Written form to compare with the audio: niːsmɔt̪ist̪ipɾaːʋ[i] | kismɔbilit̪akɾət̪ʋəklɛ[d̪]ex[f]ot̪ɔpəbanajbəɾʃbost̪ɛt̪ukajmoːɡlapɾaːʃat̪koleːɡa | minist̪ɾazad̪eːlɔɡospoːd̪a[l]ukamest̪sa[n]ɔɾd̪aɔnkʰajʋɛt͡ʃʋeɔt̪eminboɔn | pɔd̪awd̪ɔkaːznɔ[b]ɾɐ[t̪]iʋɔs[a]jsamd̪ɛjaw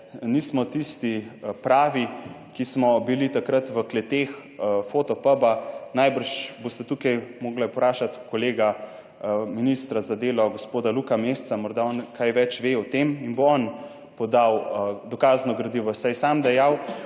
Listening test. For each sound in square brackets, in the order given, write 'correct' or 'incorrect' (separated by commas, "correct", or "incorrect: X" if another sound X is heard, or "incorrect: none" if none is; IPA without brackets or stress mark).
correct, incorrect: t̪, correct, correct, incorrect: m, incorrect: ɡ, incorrect: d̪, correct